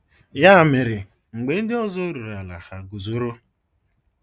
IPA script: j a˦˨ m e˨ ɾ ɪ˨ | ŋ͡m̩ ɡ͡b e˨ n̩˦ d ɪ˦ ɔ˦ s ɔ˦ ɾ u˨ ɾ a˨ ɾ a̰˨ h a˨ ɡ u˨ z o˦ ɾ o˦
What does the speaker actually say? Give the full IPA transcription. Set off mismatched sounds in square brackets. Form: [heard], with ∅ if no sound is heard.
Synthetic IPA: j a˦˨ m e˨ ɾ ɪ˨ | ŋ͡m̩ ɡ͡b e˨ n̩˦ d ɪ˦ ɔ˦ [z] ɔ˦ ɾ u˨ ɾ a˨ [l] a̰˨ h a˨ ɡ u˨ z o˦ ɾ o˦